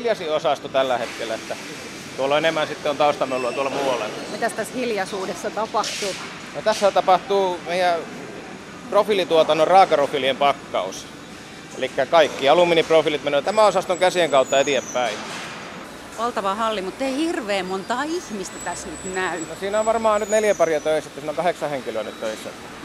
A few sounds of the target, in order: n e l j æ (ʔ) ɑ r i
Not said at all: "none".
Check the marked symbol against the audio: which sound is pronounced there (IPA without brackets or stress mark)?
p